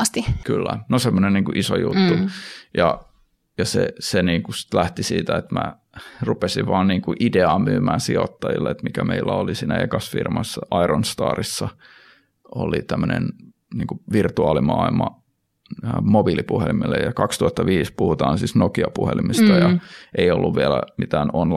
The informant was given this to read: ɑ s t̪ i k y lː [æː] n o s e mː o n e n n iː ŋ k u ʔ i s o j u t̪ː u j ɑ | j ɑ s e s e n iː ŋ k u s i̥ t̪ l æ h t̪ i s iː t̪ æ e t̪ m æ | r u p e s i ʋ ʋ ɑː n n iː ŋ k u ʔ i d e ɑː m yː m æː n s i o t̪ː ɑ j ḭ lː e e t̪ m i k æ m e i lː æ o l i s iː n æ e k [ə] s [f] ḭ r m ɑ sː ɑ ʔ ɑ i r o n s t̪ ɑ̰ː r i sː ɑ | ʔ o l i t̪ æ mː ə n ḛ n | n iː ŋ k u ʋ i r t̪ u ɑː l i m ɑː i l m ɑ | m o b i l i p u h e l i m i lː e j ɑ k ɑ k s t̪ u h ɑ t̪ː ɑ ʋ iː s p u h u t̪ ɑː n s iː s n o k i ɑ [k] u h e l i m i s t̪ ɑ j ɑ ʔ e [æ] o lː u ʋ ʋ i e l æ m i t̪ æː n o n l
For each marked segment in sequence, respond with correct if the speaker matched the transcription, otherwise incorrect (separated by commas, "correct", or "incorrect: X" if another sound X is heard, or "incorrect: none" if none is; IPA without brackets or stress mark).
incorrect: æ, incorrect: ɑ, correct, incorrect: p, incorrect: i